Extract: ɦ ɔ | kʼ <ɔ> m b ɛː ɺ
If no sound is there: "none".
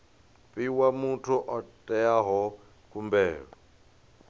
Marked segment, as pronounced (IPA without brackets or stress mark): u